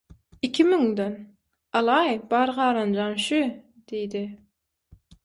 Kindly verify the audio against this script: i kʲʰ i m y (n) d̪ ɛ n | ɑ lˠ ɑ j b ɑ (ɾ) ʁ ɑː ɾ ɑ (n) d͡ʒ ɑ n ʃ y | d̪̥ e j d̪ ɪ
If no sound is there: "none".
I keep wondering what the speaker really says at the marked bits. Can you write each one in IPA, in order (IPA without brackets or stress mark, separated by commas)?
ŋ, ɾ, n